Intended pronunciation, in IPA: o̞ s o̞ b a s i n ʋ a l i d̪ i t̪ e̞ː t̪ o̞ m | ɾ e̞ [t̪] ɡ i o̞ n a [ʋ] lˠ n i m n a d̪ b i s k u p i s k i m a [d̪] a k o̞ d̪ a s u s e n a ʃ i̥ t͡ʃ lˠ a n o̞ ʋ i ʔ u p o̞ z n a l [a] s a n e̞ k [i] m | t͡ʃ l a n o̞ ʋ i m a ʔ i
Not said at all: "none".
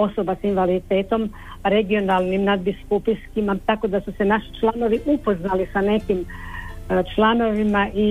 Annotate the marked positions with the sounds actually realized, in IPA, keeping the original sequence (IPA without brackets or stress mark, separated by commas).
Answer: none, none, t̪, i, i